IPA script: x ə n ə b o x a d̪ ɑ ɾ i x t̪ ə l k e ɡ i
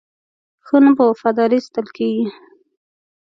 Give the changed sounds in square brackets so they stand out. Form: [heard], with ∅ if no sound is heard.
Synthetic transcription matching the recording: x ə n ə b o [f] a d̪ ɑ ɾ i [s] t̪ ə l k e ɡ i